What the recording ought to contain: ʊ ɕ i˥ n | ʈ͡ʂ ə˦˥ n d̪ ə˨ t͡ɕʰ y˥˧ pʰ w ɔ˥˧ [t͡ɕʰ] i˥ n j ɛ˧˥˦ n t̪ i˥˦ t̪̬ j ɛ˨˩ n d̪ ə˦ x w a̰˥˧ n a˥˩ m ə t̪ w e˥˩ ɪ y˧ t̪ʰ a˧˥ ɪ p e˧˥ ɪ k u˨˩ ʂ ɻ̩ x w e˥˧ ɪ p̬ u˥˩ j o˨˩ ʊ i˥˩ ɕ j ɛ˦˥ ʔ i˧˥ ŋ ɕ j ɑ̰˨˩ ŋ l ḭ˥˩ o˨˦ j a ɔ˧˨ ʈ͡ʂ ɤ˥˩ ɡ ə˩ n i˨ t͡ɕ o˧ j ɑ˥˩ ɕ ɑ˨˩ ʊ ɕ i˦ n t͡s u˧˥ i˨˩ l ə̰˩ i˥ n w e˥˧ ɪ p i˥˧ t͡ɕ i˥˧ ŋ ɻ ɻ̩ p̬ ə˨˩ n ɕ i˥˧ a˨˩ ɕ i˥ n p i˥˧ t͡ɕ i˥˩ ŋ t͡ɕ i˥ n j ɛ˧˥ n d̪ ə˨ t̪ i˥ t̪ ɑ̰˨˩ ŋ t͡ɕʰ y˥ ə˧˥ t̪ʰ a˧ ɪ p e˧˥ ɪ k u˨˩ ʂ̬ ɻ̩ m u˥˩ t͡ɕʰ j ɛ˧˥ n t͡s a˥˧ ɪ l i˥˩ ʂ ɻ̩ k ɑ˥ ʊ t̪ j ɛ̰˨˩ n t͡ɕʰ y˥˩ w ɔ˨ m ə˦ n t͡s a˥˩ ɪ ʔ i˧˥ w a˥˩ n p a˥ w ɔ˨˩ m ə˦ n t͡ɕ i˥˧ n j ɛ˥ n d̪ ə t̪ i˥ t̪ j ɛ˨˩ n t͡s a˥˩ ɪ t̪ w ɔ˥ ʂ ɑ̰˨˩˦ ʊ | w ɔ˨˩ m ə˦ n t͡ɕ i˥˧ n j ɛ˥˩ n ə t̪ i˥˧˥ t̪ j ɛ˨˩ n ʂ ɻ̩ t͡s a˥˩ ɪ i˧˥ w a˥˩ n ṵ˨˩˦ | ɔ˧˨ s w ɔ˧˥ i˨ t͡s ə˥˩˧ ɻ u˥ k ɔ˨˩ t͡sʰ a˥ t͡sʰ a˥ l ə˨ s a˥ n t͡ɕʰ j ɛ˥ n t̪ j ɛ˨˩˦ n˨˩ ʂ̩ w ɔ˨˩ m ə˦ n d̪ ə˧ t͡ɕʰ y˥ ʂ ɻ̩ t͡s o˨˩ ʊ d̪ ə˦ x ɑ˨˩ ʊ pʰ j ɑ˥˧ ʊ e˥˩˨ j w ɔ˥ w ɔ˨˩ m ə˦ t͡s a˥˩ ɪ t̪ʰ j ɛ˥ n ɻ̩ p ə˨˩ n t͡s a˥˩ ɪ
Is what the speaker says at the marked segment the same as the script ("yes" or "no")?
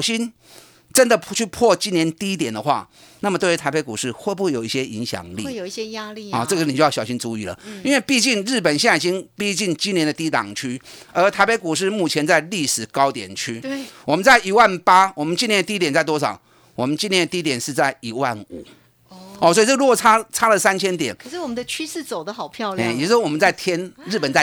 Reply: no